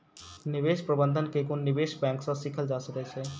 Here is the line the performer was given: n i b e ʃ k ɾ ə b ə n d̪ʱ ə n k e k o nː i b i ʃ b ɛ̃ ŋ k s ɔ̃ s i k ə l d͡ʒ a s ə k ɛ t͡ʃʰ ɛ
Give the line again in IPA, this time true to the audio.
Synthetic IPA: n i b e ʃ p ɾ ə b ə n d̪ʱ ə n k e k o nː i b e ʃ b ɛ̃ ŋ k s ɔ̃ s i kʰ ə l d͡ʒ a s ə k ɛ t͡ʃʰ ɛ